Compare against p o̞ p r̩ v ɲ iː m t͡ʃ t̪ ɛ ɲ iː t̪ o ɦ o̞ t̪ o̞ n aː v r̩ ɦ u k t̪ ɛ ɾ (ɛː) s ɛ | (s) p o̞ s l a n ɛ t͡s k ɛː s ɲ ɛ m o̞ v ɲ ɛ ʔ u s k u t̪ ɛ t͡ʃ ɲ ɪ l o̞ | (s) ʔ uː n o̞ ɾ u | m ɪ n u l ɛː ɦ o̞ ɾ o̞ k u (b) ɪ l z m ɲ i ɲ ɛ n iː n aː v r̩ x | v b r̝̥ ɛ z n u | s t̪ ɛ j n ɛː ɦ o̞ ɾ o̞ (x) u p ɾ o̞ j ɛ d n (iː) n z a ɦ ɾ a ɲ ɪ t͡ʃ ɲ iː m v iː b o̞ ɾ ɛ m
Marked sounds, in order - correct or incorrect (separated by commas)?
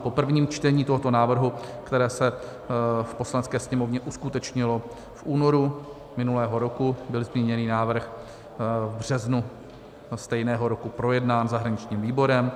correct, incorrect, incorrect, correct, incorrect, incorrect